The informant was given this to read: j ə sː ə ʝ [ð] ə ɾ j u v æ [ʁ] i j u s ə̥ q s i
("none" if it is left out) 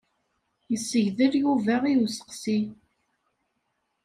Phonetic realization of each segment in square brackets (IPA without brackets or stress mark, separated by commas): ð, ʁ